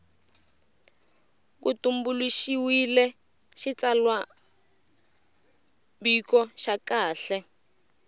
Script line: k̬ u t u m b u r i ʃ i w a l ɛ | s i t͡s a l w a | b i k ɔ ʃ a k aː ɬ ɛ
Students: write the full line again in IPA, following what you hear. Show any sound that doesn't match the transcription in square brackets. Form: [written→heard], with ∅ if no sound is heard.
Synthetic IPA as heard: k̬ u t u m b u [r→l] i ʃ i w [a→i] l ɛ | [s→ʃ] i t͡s a l w a | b i k ɔ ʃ a k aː ɬ ɛ